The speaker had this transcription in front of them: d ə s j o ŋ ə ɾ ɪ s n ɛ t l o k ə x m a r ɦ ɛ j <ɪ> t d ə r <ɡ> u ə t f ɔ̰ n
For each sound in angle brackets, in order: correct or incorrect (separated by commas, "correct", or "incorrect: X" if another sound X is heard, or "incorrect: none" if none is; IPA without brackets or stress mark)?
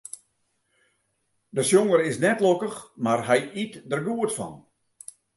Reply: incorrect: i, correct